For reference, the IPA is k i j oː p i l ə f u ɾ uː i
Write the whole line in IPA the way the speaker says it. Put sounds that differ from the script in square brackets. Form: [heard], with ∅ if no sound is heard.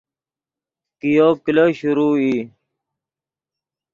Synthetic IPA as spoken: k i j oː [k] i l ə [ɕ] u ɾ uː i